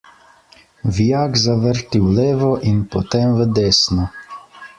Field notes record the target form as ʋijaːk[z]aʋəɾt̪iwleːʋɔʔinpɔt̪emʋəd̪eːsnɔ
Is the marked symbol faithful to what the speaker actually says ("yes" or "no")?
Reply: yes